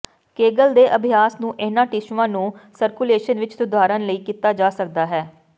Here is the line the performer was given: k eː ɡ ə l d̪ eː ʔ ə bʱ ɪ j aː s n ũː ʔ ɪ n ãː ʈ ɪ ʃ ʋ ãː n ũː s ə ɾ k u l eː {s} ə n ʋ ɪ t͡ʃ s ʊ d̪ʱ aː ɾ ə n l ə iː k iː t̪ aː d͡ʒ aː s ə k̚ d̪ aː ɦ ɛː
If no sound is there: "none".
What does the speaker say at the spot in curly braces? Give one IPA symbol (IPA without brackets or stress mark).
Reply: ʃ